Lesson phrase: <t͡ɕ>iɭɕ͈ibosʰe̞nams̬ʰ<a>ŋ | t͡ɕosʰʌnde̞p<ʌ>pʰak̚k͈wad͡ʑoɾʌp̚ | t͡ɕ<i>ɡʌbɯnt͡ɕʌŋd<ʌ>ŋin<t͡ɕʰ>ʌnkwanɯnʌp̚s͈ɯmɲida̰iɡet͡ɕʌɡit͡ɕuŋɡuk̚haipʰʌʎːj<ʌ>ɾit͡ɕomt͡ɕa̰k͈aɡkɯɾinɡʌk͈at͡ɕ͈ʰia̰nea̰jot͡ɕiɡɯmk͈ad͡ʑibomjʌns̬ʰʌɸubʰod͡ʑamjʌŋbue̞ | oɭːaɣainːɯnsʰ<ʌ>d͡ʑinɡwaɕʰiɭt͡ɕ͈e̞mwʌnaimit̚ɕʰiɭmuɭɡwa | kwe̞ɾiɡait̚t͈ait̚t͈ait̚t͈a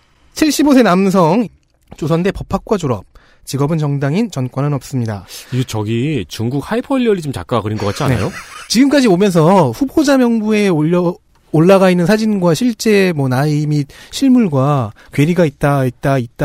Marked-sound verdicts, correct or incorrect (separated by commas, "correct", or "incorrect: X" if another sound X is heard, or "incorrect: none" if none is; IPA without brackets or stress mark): incorrect: t͡ɕʰ, incorrect: ʌ, correct, correct, incorrect: a, incorrect: t͡ɕ, correct, incorrect: a